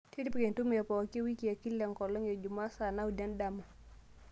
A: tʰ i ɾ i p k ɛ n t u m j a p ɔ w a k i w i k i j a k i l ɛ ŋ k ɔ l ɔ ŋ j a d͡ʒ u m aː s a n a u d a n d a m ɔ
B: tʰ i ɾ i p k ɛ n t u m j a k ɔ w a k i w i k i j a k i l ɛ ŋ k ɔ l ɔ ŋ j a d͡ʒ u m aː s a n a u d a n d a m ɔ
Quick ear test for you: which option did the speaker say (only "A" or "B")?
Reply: A